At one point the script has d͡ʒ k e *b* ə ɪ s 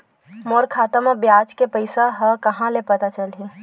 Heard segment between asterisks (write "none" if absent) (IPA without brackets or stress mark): p